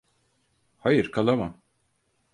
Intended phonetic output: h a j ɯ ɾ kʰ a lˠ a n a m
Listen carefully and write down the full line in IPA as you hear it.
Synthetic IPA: h a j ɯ ɾ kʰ a lˠ a m a m